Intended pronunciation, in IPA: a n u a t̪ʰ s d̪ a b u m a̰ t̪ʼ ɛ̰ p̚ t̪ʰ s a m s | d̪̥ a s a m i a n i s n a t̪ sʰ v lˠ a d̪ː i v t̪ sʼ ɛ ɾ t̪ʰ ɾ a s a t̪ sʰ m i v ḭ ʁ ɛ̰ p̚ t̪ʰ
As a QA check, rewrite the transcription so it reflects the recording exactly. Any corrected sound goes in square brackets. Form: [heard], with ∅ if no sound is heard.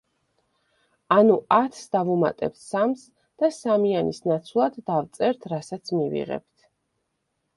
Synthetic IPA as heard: a n u a t̪ʰ s d̪ a [v] u m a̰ t̪ʼ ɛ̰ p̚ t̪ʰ s a m s | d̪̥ a s a m i a n i s n a t̪ sʰ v lˠ a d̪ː [a] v t̪ sʼ ɛ ɾ t̪ʰ ɾ a s a t̪ sʰ m i v ḭ ʁ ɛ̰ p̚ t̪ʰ